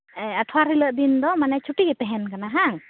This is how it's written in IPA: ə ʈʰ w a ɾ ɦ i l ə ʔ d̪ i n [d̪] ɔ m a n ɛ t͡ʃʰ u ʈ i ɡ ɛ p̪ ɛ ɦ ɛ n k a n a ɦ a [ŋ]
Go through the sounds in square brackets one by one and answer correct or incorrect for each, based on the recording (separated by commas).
correct, correct